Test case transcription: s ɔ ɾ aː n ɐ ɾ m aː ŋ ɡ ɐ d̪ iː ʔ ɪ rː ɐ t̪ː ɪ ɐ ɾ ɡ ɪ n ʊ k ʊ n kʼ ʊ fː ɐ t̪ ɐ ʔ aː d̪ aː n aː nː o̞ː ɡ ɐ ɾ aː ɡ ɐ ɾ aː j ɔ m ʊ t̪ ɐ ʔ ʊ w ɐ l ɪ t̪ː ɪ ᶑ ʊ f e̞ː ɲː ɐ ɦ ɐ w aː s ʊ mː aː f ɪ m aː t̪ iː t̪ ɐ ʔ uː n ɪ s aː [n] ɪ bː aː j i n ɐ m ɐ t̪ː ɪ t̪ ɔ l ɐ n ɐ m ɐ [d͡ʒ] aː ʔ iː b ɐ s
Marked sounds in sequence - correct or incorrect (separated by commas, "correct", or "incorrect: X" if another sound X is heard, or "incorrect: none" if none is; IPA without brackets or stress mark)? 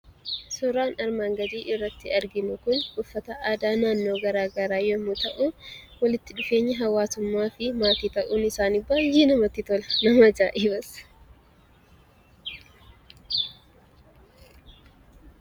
correct, correct